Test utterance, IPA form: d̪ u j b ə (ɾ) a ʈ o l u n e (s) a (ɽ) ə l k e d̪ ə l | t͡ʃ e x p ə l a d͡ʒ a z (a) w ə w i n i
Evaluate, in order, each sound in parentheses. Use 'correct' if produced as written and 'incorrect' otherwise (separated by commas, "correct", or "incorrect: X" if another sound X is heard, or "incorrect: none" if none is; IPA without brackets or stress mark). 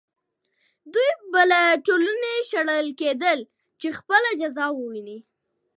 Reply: incorrect: l, incorrect: ʃ, correct, incorrect: ɑ